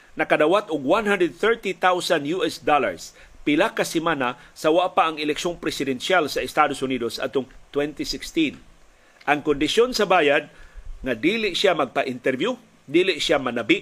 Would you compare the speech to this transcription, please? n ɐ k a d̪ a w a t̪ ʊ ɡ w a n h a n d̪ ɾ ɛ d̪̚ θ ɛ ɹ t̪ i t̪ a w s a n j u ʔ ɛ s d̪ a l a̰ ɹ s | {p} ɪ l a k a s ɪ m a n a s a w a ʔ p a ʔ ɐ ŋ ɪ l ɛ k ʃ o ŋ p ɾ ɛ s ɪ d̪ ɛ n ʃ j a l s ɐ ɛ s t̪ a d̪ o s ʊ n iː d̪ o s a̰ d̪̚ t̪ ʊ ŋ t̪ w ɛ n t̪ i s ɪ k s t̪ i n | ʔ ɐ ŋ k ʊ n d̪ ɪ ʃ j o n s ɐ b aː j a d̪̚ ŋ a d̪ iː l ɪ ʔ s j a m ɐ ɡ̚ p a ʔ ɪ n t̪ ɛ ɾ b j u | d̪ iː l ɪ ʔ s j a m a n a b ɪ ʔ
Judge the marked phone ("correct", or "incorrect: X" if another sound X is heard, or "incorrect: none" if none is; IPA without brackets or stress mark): correct